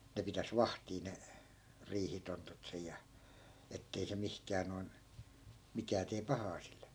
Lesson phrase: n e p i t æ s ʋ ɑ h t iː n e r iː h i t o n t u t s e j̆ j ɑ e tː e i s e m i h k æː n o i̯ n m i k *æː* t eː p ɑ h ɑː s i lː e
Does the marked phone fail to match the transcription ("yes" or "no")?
no